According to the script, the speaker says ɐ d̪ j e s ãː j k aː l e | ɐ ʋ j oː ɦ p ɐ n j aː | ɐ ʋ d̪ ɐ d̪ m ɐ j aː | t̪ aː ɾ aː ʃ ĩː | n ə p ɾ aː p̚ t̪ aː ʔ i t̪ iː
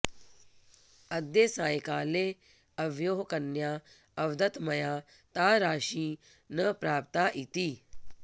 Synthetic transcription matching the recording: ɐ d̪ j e s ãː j k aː l e | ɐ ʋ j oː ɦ k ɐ n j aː | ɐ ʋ d̪ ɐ t̪ m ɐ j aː | t̪ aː ɾ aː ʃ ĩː | n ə p ɾ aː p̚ t̪ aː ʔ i t̪ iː